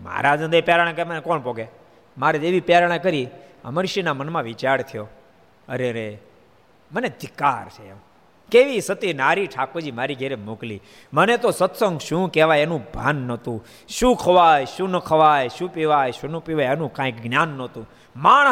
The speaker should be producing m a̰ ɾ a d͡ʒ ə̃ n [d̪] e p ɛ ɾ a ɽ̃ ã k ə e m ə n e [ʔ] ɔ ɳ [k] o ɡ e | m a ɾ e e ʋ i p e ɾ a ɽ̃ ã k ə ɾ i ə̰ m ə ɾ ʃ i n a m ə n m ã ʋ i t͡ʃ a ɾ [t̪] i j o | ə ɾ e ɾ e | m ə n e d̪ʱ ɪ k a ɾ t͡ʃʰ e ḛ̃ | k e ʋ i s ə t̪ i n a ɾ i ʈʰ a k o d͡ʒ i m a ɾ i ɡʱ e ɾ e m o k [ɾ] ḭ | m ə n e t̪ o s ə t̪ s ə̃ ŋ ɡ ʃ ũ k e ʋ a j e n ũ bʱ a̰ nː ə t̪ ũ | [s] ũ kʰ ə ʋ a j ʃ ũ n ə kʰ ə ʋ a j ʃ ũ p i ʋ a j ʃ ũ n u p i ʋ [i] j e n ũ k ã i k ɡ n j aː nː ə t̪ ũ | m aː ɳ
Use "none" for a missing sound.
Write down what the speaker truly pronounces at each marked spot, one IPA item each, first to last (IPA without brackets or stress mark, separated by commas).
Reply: d̪, k, p, t̪ʰ, l, ʃ, a